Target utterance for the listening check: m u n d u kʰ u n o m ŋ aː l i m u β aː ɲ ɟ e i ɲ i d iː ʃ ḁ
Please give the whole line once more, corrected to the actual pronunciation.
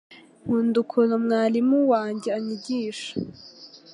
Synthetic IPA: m u n d u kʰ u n o m ŋ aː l i m u w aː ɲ ɟ e a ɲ i ɟ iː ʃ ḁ